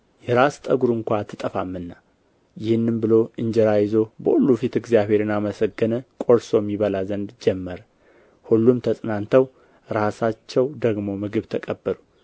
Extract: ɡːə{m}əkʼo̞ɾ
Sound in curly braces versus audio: incorrect: n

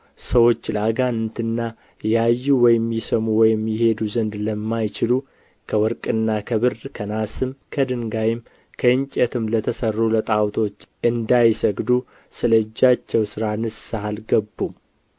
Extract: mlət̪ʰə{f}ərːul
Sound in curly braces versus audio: incorrect: s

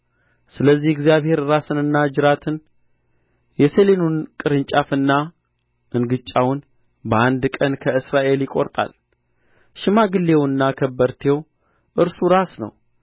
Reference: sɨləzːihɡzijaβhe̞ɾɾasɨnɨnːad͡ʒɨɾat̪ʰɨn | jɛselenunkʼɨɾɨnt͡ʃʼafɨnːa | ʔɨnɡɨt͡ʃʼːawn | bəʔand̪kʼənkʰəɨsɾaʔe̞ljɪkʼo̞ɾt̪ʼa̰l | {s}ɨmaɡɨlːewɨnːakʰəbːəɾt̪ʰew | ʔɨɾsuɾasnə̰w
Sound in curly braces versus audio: incorrect: ʃ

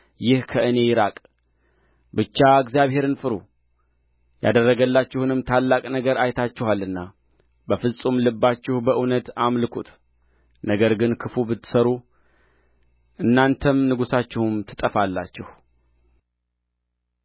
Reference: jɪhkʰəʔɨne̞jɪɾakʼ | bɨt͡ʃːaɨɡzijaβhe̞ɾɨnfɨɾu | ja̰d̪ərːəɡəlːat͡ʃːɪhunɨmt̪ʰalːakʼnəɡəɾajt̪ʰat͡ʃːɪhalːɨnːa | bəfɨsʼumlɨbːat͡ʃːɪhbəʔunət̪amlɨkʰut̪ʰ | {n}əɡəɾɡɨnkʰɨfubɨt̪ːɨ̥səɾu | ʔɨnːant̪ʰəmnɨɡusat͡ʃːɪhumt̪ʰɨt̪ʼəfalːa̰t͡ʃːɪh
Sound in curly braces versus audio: correct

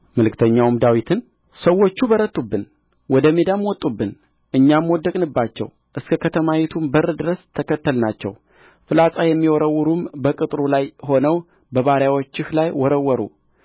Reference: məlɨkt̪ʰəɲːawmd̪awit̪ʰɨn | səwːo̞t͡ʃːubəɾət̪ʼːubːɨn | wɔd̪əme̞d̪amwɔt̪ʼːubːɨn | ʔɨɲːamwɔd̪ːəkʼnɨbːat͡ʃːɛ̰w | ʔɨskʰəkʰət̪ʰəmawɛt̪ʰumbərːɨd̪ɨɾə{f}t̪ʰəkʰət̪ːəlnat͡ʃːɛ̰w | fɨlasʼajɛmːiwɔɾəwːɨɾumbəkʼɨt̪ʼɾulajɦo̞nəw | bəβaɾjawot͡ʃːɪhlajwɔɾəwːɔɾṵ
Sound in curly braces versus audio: incorrect: s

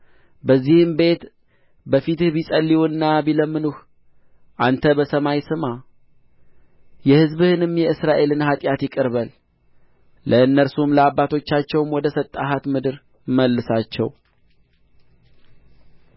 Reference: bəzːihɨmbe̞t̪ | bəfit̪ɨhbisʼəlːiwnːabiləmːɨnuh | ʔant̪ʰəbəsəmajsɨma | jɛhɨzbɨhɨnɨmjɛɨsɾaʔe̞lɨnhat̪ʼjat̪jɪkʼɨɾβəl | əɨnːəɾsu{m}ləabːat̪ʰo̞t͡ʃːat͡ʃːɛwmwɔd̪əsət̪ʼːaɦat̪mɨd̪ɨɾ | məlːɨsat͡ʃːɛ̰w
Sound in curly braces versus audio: correct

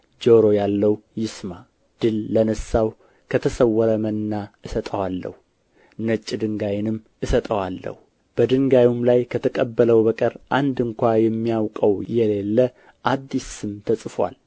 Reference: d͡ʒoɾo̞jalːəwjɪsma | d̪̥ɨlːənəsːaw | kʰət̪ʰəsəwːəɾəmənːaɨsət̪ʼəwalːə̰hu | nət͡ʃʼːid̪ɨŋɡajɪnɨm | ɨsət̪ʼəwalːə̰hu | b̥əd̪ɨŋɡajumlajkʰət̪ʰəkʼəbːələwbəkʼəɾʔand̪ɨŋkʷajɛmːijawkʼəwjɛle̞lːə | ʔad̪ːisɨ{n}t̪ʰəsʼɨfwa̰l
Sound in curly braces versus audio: incorrect: m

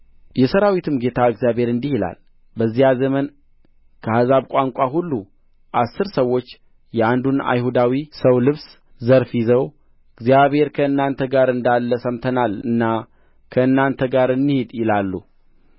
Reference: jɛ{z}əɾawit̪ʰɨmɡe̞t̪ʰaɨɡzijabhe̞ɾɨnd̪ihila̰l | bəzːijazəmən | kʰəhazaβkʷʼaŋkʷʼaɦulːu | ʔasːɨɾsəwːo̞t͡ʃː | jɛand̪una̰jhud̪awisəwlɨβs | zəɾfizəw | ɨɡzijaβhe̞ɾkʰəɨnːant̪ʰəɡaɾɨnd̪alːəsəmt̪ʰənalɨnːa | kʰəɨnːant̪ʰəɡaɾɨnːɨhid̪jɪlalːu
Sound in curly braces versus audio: incorrect: s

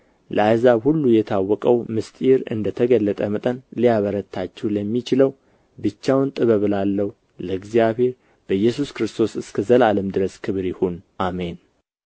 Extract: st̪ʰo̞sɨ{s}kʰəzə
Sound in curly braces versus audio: correct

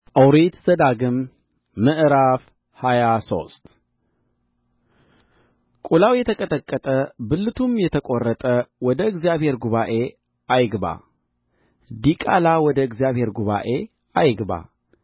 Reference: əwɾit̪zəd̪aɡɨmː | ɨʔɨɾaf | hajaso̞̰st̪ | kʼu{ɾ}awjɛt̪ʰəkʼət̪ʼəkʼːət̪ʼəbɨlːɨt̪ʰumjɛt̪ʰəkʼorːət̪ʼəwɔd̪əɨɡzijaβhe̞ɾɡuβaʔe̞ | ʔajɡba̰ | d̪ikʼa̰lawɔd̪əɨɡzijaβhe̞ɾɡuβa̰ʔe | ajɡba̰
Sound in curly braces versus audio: incorrect: l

